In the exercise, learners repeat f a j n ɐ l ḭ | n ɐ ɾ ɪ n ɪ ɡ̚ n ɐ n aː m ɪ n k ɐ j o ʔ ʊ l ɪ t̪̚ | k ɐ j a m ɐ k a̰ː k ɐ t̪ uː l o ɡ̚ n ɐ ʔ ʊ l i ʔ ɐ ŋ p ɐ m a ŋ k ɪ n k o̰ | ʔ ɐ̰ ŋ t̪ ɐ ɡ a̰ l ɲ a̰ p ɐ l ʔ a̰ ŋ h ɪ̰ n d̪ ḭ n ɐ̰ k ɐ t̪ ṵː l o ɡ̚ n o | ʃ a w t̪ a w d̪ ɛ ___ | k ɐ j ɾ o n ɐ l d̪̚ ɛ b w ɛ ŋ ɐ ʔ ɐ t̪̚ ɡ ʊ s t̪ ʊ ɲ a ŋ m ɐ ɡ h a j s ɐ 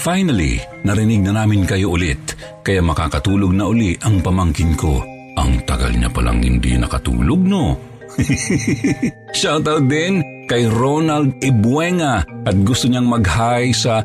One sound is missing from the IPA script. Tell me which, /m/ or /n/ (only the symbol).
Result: n